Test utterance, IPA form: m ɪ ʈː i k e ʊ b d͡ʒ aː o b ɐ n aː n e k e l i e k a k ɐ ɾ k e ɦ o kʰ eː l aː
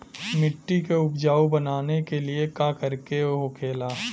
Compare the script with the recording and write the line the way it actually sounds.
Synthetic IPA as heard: m ɪ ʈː i k e ʊ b d͡ʒ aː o b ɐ n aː n e k e l i e k a k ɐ ɾ k e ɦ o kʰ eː l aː